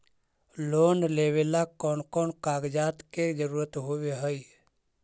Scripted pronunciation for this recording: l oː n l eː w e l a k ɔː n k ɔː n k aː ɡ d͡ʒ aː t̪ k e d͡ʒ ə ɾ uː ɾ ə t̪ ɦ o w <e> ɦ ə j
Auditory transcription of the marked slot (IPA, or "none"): e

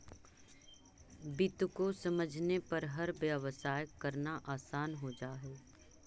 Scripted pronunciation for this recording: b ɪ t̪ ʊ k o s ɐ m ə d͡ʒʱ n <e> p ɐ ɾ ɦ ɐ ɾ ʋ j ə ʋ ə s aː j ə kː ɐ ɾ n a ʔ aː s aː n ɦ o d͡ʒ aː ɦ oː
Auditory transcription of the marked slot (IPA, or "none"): e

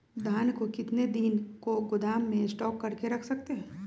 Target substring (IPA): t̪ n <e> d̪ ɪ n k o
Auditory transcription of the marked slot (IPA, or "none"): e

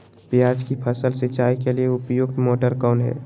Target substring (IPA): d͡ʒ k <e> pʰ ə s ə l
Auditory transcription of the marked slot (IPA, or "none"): i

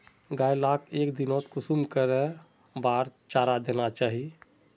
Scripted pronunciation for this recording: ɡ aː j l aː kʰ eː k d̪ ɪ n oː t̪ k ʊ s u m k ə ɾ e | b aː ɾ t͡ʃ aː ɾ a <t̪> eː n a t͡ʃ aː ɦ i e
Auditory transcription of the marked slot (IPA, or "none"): d̪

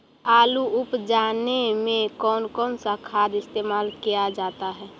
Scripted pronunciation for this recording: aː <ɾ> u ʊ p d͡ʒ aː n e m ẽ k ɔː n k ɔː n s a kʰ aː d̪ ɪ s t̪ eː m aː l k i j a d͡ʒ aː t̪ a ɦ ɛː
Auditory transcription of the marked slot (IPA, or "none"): l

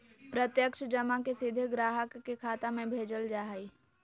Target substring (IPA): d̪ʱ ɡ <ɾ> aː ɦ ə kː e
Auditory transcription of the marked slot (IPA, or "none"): ɾ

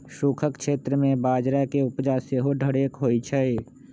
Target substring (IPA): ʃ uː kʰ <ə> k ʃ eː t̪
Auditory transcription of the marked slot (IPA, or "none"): ə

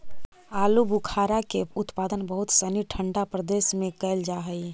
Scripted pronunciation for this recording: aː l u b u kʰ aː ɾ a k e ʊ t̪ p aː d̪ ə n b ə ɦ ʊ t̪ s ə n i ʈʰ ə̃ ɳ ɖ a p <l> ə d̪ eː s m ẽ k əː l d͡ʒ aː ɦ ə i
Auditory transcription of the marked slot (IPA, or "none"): ɾ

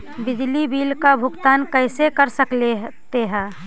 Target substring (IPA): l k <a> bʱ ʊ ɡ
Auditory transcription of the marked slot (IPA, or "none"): a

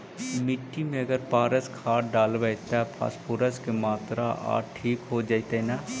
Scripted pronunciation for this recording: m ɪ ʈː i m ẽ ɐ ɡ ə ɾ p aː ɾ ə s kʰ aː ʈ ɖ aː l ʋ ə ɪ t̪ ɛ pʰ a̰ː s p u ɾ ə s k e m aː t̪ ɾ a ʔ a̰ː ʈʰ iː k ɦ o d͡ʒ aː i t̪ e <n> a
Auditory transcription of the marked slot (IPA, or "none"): n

